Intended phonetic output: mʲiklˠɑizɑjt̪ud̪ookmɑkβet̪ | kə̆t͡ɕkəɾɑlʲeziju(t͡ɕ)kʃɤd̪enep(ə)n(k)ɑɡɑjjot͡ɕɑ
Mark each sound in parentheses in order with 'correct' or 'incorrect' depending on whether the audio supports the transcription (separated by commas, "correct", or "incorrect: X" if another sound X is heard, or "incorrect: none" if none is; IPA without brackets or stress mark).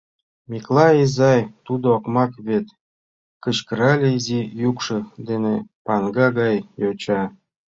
incorrect: none, incorrect: ɑ, incorrect: ɡ